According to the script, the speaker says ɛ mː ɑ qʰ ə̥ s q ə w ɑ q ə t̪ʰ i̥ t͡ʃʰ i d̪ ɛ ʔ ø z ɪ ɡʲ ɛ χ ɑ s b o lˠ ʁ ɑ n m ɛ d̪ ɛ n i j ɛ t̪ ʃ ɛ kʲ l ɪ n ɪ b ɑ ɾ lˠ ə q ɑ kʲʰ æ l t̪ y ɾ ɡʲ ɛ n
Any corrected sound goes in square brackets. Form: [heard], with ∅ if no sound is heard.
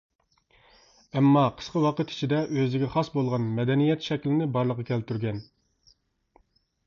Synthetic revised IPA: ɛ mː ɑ qʰ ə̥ s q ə w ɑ q ə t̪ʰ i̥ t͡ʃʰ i d̪ ɛ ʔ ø z ɪ ɡʲ ɛ χ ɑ s b o lˠ ʁ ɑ n m ɛ d̪ ɛ n i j ɛ t̪ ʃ ɛ kʲ l ɪ n ɪ b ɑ ɾ lˠ ə q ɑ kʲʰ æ l t̪ y ɾ ɡʲ ɛ n